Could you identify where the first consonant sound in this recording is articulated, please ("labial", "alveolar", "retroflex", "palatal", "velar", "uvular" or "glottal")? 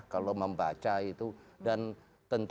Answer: velar